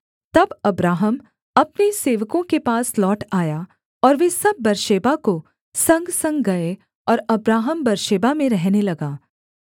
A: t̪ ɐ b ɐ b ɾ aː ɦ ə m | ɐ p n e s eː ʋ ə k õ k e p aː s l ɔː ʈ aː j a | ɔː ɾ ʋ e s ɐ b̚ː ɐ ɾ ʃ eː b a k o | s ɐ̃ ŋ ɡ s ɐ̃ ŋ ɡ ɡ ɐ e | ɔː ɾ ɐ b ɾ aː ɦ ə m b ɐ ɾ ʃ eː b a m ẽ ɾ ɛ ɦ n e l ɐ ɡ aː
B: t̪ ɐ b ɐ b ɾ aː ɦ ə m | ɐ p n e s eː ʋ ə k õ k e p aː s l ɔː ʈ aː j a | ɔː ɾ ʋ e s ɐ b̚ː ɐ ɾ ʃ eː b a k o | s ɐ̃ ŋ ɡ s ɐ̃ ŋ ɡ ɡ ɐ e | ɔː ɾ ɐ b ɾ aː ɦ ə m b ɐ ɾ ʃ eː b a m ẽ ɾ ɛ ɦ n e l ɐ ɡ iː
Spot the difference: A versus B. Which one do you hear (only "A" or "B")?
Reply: A